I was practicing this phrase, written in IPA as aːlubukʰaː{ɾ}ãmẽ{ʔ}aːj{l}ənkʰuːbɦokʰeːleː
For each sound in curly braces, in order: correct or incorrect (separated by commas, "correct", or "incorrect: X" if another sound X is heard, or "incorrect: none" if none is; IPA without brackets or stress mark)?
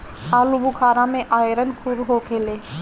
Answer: correct, correct, incorrect: ɾ